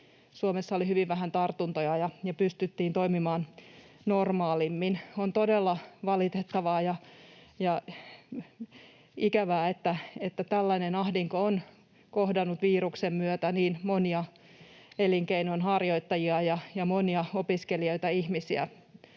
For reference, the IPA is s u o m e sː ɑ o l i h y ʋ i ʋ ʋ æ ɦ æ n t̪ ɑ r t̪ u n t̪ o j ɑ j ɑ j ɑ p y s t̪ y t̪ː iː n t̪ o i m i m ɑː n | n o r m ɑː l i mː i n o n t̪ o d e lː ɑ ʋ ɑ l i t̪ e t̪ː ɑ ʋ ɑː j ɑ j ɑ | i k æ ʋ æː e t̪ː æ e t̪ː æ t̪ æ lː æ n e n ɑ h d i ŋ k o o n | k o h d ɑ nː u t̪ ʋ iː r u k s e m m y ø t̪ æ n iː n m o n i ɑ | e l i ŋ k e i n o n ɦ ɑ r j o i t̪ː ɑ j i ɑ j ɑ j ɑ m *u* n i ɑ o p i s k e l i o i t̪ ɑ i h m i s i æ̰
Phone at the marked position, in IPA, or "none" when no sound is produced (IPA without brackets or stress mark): o